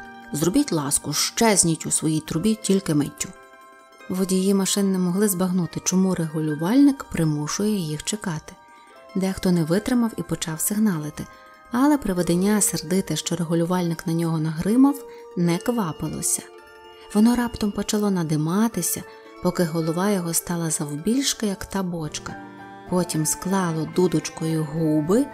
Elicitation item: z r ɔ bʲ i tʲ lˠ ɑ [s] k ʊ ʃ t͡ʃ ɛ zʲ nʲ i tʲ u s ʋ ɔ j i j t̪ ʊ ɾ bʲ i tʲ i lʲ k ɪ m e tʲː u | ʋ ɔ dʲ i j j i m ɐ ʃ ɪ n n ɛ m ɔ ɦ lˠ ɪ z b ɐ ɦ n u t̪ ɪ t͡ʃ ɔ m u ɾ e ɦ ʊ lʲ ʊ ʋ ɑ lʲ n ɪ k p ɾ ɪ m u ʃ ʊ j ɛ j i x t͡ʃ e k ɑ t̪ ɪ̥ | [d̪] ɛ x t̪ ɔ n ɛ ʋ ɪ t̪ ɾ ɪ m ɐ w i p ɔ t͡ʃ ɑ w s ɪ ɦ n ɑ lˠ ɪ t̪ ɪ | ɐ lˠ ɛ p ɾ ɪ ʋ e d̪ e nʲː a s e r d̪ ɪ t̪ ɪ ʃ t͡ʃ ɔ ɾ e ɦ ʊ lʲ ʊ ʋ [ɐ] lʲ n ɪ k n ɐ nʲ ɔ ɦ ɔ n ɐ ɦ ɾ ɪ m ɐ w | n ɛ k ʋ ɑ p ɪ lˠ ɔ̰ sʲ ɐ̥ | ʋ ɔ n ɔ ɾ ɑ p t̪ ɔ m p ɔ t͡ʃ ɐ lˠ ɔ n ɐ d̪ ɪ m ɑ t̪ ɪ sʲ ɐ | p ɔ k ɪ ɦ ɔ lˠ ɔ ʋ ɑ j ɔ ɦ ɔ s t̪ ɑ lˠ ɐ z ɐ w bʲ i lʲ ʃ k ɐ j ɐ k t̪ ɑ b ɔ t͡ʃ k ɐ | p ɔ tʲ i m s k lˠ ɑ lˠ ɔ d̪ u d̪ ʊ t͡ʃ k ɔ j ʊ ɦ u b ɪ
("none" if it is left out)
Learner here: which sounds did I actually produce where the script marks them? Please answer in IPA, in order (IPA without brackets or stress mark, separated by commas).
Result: s, d̪, ɑ